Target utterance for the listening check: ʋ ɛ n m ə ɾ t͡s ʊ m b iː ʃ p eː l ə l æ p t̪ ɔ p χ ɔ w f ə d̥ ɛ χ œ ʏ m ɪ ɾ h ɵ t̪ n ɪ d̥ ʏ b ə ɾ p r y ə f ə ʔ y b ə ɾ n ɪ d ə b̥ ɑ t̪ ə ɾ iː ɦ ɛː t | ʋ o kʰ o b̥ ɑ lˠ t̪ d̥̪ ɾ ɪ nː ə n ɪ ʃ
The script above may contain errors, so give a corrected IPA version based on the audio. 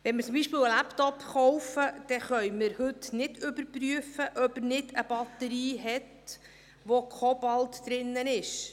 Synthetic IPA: ʋ ɛ n m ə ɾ t͡s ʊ m b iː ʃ p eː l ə l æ p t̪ ɔ p χ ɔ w f ə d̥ ɛ χ œ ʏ m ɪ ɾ h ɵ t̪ n ɪ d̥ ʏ b ə ɾ p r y ə f ə ʔ œ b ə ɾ n ɪ d ə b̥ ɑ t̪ ə ɾ iː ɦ ɛ t | ʋ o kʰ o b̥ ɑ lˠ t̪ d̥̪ ɾ ɪ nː ə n ɪ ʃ